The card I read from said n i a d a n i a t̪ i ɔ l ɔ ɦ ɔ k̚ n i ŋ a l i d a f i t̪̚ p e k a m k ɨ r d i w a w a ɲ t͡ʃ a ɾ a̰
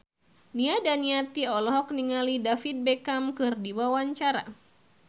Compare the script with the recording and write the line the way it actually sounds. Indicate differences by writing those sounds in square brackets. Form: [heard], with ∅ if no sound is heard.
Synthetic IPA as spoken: n i a d a n i a t̪ i ɔ l ɔ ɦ ɔ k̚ n i ŋ a l i d a f i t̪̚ [b] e k a m k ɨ r d i w a w a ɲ t͡ʃ a ɾ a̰